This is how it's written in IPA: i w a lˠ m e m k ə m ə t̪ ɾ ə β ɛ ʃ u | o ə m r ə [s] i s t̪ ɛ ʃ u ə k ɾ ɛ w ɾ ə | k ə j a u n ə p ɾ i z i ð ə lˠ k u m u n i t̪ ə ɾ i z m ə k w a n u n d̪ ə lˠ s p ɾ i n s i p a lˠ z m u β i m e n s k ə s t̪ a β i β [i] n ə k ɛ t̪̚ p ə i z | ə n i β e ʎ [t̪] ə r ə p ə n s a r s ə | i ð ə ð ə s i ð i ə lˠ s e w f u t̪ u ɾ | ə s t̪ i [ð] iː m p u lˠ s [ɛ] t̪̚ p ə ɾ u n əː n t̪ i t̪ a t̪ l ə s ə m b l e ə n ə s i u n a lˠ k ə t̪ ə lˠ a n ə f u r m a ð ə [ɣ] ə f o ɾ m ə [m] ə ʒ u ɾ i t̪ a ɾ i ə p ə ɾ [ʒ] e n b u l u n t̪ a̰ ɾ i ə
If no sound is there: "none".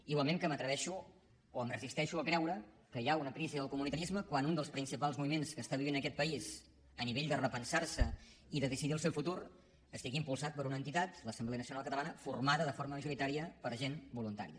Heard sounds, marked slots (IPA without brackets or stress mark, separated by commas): z, i, d̪, ɣ, a, ð, m, ʒ